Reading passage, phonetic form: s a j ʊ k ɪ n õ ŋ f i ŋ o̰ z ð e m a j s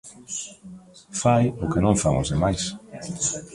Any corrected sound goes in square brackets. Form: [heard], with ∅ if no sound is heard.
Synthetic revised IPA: [f] a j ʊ k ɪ n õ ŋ f [a] ŋ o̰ z ð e m a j s